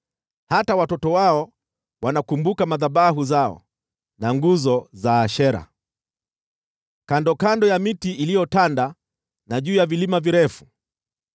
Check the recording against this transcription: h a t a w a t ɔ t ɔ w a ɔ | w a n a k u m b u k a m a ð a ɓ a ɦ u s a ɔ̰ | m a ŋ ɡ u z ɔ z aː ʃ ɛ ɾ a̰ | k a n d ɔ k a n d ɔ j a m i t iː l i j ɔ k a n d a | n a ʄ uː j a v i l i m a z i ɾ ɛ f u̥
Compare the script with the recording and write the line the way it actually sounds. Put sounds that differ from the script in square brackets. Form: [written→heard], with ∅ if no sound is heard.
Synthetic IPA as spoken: h a t a w a t ɔ t ɔ w a ɔ | w a n a k u m b u k a m a ð a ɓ a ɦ u [s→z] a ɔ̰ | [m→n] a ŋ ɡ u z ɔ z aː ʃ ɛ ɾ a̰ | k a n d ɔ k a n d ɔ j a m i t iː l i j ɔ [k→t] a n d a | n a ʄ uː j a v i l i m a [z→v] i ɾ ɛ f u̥